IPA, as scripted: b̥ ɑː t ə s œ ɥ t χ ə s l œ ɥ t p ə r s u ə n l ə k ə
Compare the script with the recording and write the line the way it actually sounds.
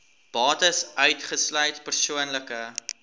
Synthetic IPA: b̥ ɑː t ə s œ ɥ t χ ə s l œ ɥ t p ə r s u ə n l ə k ə